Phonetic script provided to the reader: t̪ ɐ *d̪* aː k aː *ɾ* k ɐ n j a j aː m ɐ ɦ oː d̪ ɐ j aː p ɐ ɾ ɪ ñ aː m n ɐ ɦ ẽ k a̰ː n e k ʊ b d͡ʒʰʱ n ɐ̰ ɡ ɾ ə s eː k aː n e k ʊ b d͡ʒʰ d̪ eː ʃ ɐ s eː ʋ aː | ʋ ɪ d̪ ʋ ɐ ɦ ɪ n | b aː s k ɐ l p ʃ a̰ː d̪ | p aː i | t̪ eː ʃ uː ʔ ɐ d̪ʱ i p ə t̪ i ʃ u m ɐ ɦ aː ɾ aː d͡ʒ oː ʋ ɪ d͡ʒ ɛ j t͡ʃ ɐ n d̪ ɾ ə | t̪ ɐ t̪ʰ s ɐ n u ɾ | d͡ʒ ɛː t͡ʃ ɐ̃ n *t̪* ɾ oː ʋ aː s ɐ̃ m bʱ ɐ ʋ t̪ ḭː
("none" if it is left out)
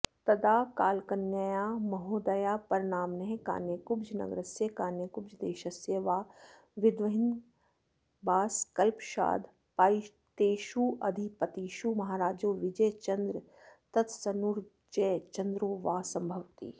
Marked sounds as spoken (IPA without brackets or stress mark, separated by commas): d̪, l, d̪